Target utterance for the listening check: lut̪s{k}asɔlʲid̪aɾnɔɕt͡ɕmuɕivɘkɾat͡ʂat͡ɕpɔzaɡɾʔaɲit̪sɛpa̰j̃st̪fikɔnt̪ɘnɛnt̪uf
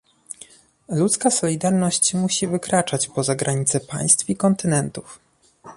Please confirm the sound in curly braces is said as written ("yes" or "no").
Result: yes